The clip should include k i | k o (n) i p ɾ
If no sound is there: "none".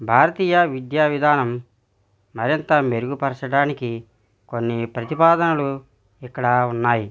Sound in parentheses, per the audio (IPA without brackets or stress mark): nː